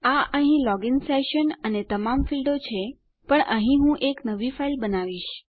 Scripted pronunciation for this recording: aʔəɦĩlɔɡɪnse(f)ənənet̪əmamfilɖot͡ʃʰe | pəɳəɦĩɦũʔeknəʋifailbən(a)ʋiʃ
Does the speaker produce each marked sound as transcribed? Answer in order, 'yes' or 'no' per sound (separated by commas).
no, yes